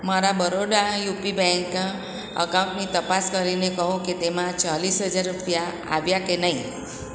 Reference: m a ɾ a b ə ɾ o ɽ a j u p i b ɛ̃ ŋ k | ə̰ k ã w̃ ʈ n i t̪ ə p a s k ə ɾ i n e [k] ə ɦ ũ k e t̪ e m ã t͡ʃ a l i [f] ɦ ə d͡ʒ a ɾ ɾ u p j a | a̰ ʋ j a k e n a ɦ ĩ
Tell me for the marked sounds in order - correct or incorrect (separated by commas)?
correct, incorrect